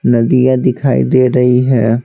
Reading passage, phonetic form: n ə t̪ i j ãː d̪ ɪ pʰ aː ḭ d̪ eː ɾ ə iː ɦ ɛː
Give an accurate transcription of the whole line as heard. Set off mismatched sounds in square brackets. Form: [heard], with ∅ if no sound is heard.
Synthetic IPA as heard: n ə [d̪] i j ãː d̪ ɪ [kʰ] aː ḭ d̪ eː ɾ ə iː ɦ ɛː